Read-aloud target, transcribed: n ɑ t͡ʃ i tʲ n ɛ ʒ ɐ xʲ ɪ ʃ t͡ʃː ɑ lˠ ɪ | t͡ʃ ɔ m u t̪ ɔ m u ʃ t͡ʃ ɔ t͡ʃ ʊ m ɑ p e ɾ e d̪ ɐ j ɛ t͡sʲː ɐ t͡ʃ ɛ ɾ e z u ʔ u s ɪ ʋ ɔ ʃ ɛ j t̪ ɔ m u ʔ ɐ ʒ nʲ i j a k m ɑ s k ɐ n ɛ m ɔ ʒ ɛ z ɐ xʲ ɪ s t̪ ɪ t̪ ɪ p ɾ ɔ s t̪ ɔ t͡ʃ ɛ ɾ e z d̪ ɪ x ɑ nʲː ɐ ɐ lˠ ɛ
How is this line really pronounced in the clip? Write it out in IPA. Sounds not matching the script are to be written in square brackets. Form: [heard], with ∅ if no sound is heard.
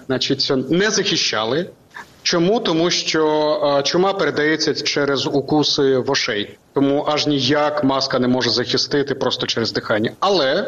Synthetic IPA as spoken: n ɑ t͡ʃ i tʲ n ɛ [z] ɐ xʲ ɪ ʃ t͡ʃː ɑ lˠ ɪ | t͡ʃ ɔ m u t̪ ɔ m u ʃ t͡ʃ ɔ t͡ʃ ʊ m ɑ p e ɾ e d̪ ɐ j ɛ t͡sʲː ɐ t͡ʃ ɛ ɾ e z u [k] u s ɪ ʋ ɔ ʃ ɛ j t̪ ɔ m u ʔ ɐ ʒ nʲ i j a k m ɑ s k ɐ n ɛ m ɔ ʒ ɛ z ɐ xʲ ɪ s t̪ ɪ t̪ ɪ p ɾ ɔ s t̪ ɔ t͡ʃ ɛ ɾ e z d̪ ɪ x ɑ nʲː ɐ ɐ lˠ ɛ